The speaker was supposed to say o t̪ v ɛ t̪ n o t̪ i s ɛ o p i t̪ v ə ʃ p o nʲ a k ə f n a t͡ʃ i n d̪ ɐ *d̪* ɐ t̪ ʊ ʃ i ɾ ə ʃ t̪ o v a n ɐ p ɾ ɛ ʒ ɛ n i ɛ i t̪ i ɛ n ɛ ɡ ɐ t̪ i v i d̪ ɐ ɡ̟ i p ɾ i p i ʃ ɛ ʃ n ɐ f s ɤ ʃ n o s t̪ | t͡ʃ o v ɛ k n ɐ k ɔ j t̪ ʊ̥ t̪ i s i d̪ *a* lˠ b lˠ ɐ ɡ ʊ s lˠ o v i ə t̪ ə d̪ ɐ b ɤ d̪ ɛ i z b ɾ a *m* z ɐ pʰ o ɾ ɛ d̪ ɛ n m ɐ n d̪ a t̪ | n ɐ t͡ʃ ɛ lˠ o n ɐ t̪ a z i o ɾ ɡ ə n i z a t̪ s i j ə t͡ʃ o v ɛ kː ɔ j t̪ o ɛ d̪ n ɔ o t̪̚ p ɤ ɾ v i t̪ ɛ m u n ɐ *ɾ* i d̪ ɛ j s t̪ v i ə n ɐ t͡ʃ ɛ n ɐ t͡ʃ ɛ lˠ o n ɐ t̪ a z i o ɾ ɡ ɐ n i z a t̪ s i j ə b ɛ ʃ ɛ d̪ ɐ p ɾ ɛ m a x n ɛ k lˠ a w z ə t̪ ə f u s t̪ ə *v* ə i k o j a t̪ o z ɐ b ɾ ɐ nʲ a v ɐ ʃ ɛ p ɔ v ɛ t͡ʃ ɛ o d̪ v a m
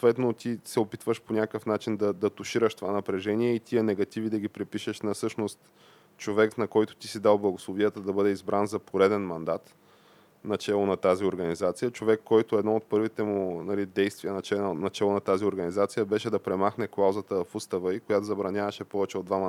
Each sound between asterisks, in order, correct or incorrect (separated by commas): correct, correct, incorrect, incorrect, correct